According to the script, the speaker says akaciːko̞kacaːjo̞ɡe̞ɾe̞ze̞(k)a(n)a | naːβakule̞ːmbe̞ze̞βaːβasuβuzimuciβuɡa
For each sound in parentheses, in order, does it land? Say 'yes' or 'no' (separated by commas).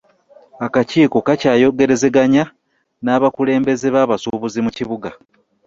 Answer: no, no